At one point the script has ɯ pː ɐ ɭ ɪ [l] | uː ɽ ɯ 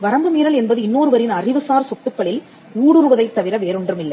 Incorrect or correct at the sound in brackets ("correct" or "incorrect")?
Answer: correct